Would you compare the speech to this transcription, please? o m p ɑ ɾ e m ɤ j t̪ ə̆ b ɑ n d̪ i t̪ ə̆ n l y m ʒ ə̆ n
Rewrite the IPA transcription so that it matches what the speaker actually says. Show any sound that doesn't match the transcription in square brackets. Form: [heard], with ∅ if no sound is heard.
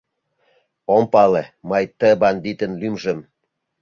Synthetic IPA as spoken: o m p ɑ [l] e m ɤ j t̪ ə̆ b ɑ n d̪ i t̪ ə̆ n l y m ʒ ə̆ [m]